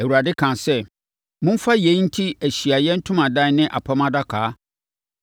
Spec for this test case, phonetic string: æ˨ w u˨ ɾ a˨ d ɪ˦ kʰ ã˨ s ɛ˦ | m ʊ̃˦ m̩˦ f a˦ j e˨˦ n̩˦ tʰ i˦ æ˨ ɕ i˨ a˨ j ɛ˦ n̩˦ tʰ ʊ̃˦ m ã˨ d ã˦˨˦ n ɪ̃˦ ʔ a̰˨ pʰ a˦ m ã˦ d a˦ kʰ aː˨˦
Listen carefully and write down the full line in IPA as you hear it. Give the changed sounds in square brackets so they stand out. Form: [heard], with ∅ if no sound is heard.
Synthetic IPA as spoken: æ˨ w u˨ ɾ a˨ d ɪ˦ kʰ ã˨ s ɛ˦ | m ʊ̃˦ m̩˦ f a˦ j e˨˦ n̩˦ tʰ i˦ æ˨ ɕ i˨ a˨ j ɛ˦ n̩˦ tʰ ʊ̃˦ m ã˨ d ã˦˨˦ n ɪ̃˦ ʔ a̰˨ pʰ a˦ m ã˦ d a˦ kʰ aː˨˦